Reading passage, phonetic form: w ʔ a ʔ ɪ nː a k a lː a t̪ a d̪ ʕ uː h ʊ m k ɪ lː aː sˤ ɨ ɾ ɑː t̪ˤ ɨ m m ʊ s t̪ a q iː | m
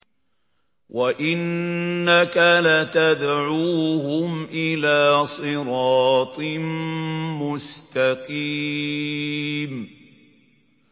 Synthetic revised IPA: w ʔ a ʔ ɪ nː a k a l a t̪ a d̪ ʕ uː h ʊ m ʔ ɪ l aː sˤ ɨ ɾ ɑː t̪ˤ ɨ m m ʊ s t̪ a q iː | m